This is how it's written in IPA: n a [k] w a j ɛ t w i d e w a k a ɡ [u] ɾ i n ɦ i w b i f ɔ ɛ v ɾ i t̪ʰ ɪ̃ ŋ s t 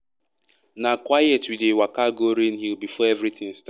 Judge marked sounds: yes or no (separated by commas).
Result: yes, no